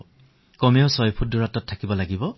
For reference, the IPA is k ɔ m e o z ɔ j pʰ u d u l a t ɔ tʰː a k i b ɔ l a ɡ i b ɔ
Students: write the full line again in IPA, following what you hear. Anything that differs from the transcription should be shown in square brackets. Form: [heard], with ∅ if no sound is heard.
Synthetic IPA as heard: k ɔ m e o [s] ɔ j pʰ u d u [ɹ] a t ɔ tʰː a k i b ɔ l a ɡ i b ɔ